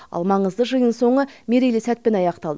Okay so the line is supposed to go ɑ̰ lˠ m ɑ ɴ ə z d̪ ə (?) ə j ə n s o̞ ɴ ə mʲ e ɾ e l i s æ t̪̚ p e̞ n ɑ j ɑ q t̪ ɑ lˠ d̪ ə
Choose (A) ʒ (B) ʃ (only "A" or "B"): A